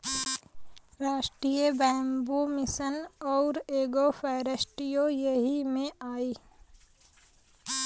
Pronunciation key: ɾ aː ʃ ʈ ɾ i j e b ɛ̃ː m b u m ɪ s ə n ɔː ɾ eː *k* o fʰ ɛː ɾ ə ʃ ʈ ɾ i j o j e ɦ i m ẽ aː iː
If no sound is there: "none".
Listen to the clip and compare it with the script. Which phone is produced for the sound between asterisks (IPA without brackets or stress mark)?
ɡ